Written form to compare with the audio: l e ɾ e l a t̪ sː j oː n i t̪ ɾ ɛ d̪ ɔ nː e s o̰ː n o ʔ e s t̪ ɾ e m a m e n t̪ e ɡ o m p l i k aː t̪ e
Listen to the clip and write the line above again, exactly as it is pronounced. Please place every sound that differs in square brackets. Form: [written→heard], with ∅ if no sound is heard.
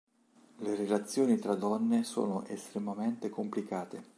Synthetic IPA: l e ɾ e l a t̪ sː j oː n i t̪ ɾ [ɛ→a] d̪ ɔ nː e s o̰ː n o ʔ e s t̪ ɾ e m a m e n t̪ e [ɡ→k] o m p l i k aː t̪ e